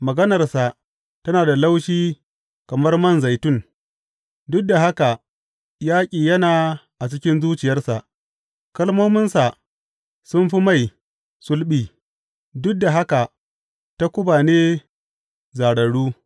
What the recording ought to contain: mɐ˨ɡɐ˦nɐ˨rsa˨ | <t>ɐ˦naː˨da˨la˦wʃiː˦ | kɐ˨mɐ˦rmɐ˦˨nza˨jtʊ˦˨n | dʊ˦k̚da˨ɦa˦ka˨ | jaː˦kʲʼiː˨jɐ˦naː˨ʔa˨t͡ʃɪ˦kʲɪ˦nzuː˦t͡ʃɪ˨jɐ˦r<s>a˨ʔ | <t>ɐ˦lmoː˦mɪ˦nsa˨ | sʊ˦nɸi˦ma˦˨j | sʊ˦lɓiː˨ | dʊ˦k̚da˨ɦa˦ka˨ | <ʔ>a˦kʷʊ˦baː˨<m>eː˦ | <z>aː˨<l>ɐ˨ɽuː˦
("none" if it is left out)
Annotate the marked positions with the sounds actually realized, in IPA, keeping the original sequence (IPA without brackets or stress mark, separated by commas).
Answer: t, s, k, t, n, z, ɽ